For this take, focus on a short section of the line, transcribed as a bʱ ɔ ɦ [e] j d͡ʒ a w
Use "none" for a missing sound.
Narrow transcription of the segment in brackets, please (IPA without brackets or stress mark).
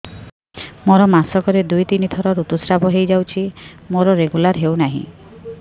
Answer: e